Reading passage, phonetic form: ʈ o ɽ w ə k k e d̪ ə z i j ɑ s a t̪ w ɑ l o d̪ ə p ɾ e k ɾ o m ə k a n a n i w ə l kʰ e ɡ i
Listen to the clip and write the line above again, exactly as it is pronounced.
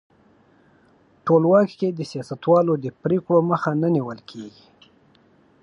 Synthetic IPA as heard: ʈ o l w ɑ k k e d̪ ə s i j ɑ s a t̪ w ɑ l o d̪ ə p ɾ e k ɽ o m ə x a n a n i w ə l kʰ e ɡ i

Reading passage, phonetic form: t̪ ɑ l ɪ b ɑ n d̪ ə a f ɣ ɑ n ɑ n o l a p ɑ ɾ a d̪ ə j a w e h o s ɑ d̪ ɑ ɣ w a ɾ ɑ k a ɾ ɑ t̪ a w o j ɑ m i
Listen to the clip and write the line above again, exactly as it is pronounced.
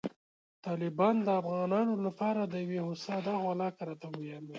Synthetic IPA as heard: t̪ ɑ l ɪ b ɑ n d̪ ə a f ɣ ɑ n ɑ n o l a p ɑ ɾ a d̪ ə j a w e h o s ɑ d̪ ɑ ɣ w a l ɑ k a ɾ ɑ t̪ a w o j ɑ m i

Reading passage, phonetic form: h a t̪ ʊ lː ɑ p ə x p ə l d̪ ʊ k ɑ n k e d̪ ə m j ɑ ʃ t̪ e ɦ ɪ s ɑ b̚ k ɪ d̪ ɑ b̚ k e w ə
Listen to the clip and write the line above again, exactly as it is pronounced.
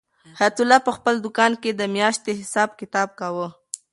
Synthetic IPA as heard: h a t̪ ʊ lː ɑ p ə x p ə l d̪ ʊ k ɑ n k e d̪ ə m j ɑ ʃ t̪ e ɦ ɪ s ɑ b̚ k ɪ t̪ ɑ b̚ k a w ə

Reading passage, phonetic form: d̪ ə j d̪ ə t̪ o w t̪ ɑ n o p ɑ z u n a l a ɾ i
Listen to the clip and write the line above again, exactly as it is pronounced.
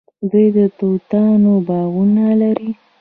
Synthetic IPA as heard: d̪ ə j d̪ ə t̪ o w t̪ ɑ n o b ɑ ɣ u n a l a ɾ i

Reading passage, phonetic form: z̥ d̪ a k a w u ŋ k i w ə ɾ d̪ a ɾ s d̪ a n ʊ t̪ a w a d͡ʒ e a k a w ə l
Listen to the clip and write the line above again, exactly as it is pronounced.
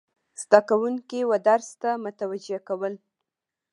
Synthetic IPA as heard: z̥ d̪ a k a w u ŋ k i w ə d̪ a ɾ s t̪ a m ʊ t̪ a w a d͡ʒ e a k a w ə l

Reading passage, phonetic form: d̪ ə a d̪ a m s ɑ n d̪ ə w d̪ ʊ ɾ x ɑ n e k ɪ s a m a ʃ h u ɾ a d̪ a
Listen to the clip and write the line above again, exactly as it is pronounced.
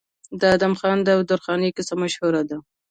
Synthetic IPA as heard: d̪ ə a d̪ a m x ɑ n d̪ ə w d̪ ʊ ɾ x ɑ n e k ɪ s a m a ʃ h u ɾ a d̪ a

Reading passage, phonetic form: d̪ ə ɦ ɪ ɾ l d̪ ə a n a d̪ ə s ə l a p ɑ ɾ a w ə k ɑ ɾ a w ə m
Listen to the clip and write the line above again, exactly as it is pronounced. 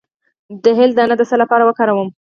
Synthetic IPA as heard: d̪ ə ɦ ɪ l d̪ ə a n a d̪ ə s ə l a p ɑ ɾ a w ə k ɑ ɾ a w ə m

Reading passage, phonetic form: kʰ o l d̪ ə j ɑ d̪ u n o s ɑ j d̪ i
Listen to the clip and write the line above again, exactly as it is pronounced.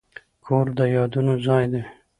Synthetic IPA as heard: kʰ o ɾ d̪ ə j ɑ d̪ u n o z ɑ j d̪ e

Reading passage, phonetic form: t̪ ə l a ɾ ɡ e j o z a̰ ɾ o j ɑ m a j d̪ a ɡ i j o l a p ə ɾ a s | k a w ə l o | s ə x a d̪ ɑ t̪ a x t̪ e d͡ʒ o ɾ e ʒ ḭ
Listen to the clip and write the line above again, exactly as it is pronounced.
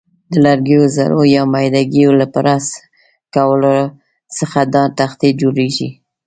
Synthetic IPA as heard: d̪ ə l a ɾ ɡ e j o z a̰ ɾ o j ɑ m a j d̪ a ɡ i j o l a p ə ɾ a s | k a w ə l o | s ə x a d̪ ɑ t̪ a x t̪ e d͡ʒ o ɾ e ʒ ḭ

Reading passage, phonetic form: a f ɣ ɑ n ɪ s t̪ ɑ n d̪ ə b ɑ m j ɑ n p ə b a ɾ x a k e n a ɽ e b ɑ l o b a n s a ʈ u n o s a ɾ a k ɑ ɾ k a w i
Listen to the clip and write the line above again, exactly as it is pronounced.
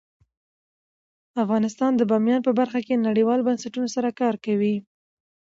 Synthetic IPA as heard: a f ɣ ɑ n ɪ s t̪ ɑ n d̪ ə b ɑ m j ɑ n p ə b a ɾ x a k e n a ɽ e w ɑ l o b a n s a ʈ u n o s a ɾ a k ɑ ɾ k a w i

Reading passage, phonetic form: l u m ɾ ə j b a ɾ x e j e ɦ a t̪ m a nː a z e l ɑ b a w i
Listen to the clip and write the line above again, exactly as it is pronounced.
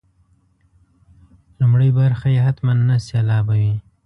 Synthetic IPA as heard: l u m ɽ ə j b a ɾ x a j e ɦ a t̪ m a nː a s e l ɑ b a w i

